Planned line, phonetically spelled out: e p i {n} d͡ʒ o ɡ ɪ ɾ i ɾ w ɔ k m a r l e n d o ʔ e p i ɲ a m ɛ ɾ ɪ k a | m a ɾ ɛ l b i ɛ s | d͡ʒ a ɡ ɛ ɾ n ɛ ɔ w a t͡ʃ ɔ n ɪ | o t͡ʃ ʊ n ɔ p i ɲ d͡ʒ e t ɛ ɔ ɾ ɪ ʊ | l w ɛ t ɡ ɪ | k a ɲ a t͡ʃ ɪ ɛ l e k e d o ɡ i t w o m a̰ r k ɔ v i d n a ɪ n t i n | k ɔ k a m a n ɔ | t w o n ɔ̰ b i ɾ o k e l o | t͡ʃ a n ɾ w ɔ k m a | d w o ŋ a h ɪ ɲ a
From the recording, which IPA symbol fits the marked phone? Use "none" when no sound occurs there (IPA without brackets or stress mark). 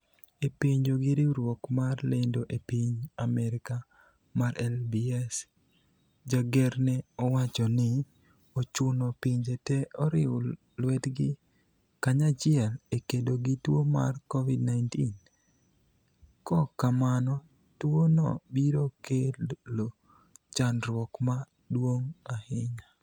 ɲ